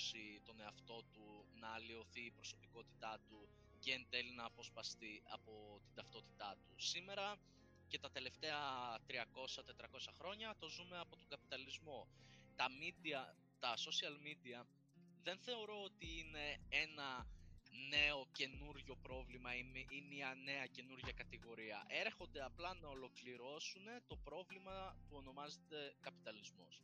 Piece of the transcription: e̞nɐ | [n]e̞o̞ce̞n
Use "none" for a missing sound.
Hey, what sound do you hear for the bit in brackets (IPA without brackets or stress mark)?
n